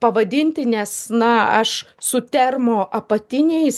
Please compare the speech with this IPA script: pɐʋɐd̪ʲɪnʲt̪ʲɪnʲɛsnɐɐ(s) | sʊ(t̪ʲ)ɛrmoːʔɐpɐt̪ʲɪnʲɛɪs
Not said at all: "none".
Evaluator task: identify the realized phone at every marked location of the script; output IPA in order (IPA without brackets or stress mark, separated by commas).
ʃ, t̪ʲ